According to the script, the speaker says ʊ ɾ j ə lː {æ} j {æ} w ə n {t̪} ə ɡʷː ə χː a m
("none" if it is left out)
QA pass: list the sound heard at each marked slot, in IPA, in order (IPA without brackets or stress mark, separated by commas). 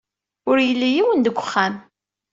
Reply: i, i, d̪